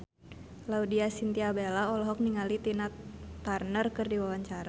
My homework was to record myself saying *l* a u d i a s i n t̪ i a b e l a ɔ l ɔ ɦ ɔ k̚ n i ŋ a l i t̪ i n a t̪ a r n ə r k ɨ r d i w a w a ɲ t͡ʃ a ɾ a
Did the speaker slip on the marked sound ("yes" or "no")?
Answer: no